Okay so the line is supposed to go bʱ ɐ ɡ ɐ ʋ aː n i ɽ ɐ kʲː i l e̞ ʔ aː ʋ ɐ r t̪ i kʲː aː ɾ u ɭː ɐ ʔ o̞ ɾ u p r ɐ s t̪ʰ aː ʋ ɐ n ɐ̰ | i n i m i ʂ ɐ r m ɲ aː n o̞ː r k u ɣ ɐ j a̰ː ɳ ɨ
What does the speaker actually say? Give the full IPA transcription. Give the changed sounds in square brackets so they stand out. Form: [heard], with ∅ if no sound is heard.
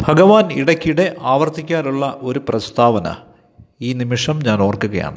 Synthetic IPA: bʱ ɐ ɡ ɐ ʋ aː n i ɽ ɐ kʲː i [ɽ] e̞ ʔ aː ʋ ɐ r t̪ i kʲː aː ɾ u ɭː ɐ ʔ o̞ ɾ u p r ɐ s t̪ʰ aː ʋ ɐ n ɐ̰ | [iː] n i m i ʂ ɐ [∅] m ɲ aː n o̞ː r k u ɣ ɐ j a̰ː ɳ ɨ